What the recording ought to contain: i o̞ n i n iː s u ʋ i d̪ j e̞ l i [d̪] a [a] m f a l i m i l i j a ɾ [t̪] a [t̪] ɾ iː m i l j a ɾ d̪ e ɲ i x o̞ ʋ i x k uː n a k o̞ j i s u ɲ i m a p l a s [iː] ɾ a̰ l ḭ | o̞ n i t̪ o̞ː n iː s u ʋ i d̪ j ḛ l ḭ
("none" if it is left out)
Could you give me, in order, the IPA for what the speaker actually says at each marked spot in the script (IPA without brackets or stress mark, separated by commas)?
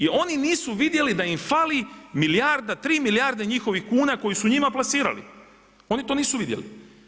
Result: d̪, i, d̪, t̪, iː